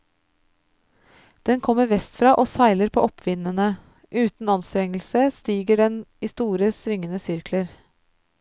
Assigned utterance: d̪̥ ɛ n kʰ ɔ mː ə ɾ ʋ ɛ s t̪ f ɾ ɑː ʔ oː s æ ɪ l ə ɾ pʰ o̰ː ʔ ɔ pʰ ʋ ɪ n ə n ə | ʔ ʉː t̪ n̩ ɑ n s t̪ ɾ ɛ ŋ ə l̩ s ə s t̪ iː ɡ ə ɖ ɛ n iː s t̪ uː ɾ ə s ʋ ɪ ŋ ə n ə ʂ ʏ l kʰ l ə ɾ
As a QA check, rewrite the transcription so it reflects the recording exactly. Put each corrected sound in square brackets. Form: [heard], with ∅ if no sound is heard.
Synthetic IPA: d̪̥ ɛ n kʰ ɔ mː ə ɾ ʋ ɛ s t̪ f ɾ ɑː ʔ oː s æ ɪ l ə ɾ pʰ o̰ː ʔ ɔ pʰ ʋ ɪ n ə n ə | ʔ ʉː t̪ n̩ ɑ n s t̪ ɾ ɛ ŋ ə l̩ s ə s t̪ iː ɡ ə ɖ ɛ n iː s t̪ uː ɾ ə s ʋ ɪ ŋ ə n ə [s] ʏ [ɾ] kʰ l ə ɾ